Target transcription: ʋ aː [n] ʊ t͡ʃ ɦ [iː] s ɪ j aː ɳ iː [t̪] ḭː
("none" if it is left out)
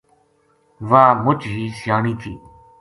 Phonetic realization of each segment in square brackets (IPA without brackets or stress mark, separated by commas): m, iː, t̪ʰ